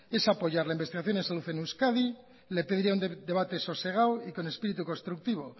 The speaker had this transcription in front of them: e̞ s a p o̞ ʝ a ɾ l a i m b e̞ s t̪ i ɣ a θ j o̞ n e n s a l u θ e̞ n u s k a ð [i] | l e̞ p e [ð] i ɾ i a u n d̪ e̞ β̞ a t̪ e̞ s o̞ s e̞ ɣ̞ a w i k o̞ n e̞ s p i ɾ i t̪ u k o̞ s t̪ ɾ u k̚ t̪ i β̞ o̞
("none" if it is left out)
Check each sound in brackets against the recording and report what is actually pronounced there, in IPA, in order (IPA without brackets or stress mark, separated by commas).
i, ð